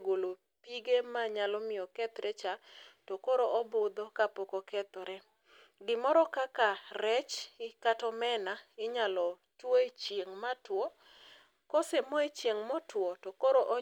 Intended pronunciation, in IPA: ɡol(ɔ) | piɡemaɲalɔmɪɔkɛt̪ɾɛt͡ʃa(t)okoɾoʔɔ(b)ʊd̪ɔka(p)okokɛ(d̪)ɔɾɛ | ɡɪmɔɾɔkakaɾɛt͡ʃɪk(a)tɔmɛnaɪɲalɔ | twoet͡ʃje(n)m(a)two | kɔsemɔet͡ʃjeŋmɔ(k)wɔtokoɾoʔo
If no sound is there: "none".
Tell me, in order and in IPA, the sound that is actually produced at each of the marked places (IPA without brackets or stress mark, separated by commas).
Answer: o, t, b, p, t̪, a, ŋ, a, t